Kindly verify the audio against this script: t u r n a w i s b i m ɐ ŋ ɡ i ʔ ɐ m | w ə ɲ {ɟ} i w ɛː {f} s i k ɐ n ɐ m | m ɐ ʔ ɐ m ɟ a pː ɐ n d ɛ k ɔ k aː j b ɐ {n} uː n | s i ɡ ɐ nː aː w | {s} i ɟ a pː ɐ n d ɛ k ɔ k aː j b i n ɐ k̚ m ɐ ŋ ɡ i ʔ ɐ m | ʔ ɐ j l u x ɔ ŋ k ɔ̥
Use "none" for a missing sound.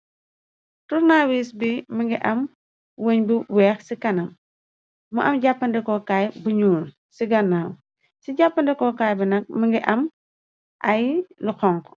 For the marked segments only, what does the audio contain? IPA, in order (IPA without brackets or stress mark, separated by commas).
b, x, ɲ, s